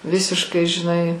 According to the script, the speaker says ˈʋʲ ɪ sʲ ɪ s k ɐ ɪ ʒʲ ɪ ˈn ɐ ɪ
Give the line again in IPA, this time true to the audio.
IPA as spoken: ˈʋʲ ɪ sʲ ɪ ʃ k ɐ ɪ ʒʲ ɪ ˈn ɐ ɪ